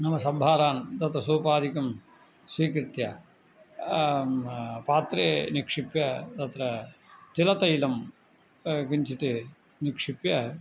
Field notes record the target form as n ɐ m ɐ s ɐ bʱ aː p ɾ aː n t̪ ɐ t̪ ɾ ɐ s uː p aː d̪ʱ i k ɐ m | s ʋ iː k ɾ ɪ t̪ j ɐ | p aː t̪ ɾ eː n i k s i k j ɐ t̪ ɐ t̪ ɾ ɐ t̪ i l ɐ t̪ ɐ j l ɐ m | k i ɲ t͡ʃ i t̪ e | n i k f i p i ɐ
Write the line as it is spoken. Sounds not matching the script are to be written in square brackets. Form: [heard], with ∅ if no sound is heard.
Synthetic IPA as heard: n ɐ m ɐ s ɐ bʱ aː [∅] ɾ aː n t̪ ɐ t̪ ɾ ɐ s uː p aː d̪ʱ i k ɐ m | s ʋ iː k ɾ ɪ t̪ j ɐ | p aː t̪ ɾ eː n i k [ʂ] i [p] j ɐ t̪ ɐ t̪ ɾ ɐ t̪ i l ɐ t̪ ɐ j l ɐ m | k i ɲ t͡ʃ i t̪ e | n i k [ʂ] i p [j] ɐ